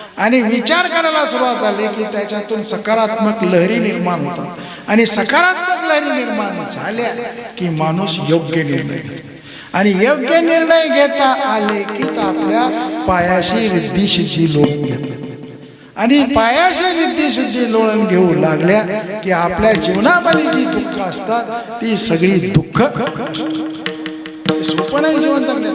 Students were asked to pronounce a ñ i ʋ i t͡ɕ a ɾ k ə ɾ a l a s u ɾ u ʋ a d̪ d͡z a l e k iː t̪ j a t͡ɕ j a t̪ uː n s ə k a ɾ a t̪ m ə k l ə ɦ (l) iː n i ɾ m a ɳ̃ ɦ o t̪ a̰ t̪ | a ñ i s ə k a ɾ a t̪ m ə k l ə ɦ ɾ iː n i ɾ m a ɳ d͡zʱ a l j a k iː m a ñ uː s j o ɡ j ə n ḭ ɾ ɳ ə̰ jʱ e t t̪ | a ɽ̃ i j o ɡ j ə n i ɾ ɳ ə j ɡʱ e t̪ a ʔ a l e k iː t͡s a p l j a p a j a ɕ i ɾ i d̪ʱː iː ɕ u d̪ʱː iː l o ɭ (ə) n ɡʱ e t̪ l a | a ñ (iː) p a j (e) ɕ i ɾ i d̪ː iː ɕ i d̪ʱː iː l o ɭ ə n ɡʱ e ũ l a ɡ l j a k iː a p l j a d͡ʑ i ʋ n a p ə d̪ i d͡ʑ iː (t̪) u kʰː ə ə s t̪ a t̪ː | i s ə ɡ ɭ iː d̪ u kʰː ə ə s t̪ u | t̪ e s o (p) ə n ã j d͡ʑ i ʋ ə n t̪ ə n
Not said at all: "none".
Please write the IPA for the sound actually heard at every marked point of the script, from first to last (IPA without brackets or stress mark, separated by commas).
ɾ, ə, i, a, d̪, p